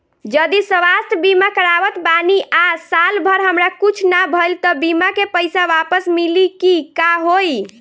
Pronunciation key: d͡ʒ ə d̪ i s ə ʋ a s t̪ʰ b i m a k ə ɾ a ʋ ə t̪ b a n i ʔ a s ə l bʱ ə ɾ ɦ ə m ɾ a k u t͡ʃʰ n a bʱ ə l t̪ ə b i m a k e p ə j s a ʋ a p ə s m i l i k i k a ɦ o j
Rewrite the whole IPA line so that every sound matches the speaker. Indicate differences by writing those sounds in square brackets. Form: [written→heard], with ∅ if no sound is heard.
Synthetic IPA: d͡ʒ ə d̪ i s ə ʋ a s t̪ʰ b i m a k ə ɾ a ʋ ə t̪ b a n i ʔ a s [ə→a] l bʱ ə ɾ ɦ ə m ɾ a k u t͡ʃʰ n a bʱ ə l t̪ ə b i m a k e p ə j s a ʋ a p ə s m i l i k i k a ɦ o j